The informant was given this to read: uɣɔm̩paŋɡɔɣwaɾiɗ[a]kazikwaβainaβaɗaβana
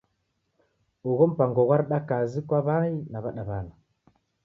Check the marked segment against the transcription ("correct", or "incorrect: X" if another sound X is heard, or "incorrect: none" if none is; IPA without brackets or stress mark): correct